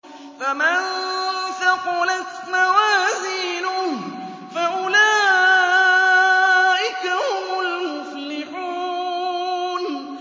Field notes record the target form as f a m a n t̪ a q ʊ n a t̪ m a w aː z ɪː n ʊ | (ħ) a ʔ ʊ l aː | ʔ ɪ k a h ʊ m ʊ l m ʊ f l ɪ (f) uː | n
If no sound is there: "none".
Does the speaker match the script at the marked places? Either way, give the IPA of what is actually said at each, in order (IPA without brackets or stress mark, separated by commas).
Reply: f, ħ